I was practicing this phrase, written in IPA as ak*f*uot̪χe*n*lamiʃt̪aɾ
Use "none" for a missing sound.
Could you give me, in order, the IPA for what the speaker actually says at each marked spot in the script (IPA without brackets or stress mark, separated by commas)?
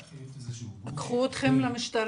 χ, m